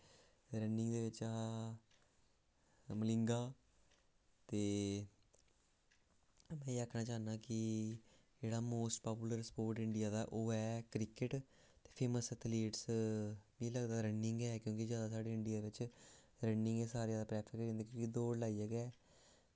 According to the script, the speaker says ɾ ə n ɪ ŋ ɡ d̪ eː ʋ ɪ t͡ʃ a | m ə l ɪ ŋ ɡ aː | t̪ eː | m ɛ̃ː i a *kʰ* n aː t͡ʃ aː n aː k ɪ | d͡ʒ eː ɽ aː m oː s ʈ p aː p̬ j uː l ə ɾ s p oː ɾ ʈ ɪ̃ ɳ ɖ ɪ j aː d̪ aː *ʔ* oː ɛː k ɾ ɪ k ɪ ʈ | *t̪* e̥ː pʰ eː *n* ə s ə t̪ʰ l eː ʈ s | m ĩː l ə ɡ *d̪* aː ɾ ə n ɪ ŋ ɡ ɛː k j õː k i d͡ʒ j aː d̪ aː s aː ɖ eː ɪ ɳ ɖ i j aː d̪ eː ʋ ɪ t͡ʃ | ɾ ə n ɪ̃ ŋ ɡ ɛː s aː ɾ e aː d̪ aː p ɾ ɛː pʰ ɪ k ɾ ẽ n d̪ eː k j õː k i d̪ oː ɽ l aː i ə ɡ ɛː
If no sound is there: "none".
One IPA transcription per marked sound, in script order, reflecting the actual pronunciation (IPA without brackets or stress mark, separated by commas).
kʰ, ʔ, t̪, m, d̪